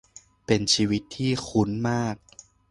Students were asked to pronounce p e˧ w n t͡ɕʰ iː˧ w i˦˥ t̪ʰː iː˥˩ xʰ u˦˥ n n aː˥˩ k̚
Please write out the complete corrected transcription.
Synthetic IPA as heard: p e˧ n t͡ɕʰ iː˧ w i˦˥ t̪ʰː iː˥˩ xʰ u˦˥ n m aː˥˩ k̚